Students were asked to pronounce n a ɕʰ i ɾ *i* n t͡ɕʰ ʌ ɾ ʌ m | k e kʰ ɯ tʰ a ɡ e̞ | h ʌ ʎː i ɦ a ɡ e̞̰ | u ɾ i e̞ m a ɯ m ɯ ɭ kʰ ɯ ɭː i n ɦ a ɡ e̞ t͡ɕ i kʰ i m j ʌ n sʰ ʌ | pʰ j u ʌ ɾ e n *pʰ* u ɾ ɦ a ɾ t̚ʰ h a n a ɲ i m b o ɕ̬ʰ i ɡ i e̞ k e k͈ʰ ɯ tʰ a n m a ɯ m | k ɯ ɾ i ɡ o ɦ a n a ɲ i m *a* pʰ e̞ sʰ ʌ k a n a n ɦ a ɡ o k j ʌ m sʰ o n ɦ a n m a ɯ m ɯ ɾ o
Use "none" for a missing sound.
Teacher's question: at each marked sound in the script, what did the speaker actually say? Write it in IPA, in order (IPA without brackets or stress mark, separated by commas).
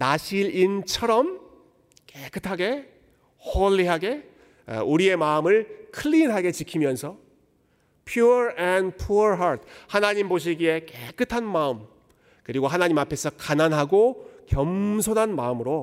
i, pʰ, a